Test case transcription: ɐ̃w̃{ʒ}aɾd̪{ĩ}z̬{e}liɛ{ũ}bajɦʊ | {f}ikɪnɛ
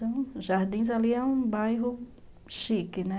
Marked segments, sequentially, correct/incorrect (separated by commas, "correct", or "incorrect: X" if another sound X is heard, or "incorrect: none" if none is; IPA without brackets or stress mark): correct, correct, incorrect: a, correct, incorrect: ʃ